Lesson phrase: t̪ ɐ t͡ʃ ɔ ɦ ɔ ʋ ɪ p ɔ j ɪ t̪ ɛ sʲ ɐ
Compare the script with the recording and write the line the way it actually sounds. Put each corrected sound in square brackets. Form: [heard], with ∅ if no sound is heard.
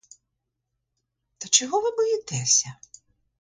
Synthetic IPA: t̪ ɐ t͡ʃ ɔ ɦ ɔ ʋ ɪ [b] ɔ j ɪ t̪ ɛ sʲ ɐ